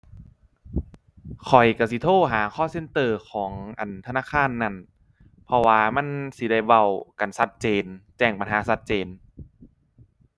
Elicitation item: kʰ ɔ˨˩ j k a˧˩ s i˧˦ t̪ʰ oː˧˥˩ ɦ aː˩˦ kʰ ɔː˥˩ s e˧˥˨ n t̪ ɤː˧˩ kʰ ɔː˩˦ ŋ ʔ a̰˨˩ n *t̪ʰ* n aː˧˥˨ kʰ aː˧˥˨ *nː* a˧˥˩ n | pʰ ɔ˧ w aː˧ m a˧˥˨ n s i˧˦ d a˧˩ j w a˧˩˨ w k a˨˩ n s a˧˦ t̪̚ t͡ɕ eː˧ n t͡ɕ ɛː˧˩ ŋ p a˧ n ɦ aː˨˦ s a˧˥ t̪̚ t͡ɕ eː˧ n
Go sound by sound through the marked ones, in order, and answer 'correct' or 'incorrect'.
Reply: correct, correct

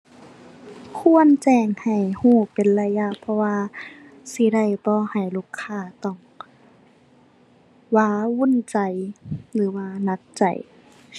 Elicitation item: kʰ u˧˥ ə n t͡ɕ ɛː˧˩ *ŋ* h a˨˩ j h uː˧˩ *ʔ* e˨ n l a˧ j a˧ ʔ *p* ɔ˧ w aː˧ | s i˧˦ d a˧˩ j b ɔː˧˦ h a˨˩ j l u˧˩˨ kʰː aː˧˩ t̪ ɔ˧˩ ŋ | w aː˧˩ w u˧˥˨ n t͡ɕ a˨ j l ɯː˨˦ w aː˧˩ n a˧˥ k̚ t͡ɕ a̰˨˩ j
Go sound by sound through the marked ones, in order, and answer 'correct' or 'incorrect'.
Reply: correct, incorrect, incorrect

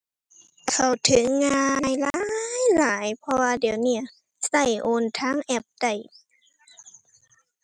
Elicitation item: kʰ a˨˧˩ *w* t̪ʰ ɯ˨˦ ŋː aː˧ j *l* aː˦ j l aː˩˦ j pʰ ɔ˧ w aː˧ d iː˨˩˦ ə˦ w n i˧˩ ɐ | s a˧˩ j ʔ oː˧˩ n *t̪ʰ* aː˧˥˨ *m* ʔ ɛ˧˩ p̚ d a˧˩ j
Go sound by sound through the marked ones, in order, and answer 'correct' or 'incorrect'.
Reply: correct, correct, correct, incorrect

